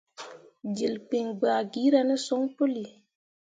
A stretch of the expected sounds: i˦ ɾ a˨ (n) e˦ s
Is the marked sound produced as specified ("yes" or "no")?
yes